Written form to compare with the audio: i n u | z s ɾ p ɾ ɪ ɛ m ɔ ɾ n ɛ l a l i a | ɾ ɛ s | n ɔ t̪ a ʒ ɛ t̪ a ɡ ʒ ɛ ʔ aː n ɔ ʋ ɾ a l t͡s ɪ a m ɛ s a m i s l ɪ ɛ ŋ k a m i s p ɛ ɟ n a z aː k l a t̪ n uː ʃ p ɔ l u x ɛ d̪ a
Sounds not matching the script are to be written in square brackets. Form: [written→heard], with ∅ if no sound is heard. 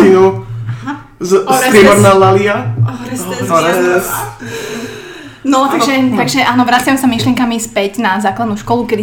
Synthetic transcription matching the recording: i n u | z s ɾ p ɾ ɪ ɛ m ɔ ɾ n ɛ l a l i a | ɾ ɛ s | n ɔ t̪ a ʒ ɛ t̪ a ɡ ʒ ɛ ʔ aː n ɔ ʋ ɾ a [l→∅] t͡s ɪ a m ɛ s a m i [s→ʃ] l ɪ ɛ ŋ k a m i s p ɛ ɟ n a z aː k l a [t̪→d̪] n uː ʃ [p→k] ɔ l u [x→k] ɛ d̪ [a→i]